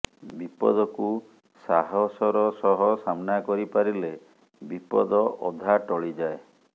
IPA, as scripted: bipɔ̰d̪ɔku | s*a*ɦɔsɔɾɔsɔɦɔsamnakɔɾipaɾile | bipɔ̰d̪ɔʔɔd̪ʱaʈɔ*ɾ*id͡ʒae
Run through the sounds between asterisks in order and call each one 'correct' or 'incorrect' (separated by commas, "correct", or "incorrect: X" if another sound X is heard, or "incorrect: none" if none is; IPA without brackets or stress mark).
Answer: correct, incorrect: ɭ